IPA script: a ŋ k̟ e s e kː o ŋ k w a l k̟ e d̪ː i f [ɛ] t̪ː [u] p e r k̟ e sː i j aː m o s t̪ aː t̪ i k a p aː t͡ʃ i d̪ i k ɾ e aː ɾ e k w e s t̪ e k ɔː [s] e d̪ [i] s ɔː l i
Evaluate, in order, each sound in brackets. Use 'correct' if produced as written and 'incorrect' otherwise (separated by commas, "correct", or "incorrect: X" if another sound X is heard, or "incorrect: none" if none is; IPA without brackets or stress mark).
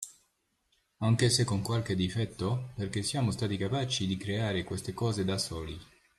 correct, incorrect: o, incorrect: z, incorrect: a